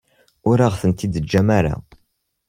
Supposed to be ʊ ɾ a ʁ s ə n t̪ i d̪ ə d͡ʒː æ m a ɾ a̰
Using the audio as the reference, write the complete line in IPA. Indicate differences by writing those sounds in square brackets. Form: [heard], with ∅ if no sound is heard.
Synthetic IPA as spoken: ʊ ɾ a ʁ [θ] ə n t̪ i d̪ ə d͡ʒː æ m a ɾ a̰